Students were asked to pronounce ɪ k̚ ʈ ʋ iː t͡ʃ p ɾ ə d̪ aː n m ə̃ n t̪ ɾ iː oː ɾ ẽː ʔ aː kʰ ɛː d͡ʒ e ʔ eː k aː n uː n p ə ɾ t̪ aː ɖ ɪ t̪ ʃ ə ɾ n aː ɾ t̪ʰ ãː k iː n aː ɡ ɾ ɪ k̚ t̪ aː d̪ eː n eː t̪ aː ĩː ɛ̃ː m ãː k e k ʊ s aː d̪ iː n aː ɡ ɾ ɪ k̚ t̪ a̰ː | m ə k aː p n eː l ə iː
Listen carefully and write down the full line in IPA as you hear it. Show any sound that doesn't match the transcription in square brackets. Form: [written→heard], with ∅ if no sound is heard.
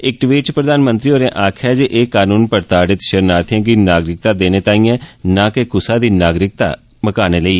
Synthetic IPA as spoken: ɪ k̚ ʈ ʋ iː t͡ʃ p ɾ ə d̪ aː n m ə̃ n t̪ ɾ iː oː ɾ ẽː ʔ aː kʰ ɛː d͡ʒ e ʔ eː k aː n uː n p ə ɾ t̪ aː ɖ ɪ t̪ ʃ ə ɾ n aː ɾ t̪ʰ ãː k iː n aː ɡ ɾ ɪ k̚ t̪ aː d̪ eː n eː t̪ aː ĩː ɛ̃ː [m→n] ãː k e k ʊ s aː d̪ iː n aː ɡ ɾ ɪ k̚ t̪ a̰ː | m ə k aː [p→∅] n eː l ə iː

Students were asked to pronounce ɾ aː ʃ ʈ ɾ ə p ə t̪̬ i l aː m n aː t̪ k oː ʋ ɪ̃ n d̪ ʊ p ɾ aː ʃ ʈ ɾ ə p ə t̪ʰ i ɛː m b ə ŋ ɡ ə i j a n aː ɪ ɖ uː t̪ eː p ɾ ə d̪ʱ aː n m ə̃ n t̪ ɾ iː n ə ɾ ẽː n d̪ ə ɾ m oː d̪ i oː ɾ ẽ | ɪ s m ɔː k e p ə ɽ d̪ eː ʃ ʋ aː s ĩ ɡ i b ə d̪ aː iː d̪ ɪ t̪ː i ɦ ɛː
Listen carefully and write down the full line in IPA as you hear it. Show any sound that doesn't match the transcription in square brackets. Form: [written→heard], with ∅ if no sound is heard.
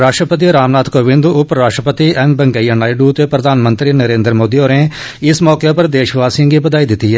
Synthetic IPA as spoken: ɾ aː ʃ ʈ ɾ ə p ə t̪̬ i [l→ɾ] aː m n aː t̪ k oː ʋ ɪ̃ n d̪ ʊ p ɾ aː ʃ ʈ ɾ ə p ə [t̪ʰ→t̪] i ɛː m b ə ŋ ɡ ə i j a n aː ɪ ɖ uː t̪ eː p ɾ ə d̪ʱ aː n m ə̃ n t̪ ɾ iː n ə ɾ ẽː n d̪ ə ɾ m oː d̪ i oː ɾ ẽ | ɪ s m ɔː k e p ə [ɽ→ɾ] d̪ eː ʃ ʋ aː s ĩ ɡ i b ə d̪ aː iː d̪ ɪ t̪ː i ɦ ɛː

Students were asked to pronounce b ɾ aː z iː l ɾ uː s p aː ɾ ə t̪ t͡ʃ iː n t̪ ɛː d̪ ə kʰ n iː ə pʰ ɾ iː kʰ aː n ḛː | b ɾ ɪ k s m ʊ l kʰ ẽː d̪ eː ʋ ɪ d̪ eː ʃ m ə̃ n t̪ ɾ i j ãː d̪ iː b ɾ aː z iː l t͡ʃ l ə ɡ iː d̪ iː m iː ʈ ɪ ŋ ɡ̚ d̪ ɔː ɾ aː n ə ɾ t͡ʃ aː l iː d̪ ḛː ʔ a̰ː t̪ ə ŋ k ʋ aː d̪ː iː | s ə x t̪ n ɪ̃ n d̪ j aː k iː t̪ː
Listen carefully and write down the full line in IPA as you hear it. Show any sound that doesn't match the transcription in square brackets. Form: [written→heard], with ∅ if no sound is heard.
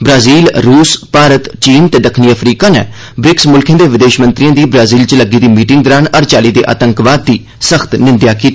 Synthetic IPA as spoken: b ɾ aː z iː l ɾ uː s p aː ɾ ə t̪ t͡ʃ iː n t̪ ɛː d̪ ə kʰ n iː ə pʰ ɾ iː [kʰ→k] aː n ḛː | b ɾ ɪ k s m ʊ l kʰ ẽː d̪ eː ʋ ɪ d̪ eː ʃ m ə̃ n t̪ ɾ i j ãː d̪ iː b ɾ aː z iː l t͡ʃ l ə ɡ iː d̪ iː m iː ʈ ɪ ŋ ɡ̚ d̪ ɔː ɾ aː n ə ɾ t͡ʃ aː l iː d̪ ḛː ʔ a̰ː t̪ ə ŋ k ʋ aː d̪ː iː | s ə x t̪ n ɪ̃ n d̪ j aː k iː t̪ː

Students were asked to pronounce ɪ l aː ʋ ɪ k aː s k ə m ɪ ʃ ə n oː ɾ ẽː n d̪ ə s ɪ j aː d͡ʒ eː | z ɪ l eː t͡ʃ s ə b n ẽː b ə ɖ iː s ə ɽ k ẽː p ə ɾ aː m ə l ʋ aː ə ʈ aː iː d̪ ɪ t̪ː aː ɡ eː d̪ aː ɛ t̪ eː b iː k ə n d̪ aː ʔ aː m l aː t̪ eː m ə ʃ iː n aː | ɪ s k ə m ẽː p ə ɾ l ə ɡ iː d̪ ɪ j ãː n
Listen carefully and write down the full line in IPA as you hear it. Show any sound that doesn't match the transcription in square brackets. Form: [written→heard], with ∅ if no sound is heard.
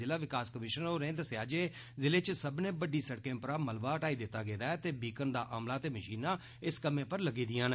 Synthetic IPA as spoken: ɪ l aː ʋ ɪ k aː s k ə m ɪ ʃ ə n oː ɾ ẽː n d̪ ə s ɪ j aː d͡ʒ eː | z ɪ l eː t͡ʃ s ə b n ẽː b ə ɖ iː s ə ɽ k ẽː p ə ɾ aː m ə l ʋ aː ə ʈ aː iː d̪ ɪ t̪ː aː ɡ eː d̪ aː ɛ t̪ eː b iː k ə n d̪ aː ʔ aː m l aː t̪ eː m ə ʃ iː n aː | ɪ s k ə m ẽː p ə ɾ l ə ɡ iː d̪ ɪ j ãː n

